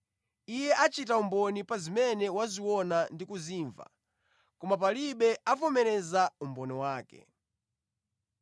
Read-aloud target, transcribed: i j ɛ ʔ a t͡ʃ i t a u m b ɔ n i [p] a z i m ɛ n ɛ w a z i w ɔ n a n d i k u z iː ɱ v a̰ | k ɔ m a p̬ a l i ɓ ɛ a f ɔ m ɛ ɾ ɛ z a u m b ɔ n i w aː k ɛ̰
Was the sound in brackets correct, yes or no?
yes